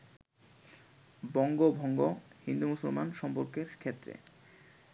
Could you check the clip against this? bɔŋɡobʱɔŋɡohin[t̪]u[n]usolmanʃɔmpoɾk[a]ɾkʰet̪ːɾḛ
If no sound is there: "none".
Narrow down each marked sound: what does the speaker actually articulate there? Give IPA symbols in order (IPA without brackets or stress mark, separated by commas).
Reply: d̪, m, e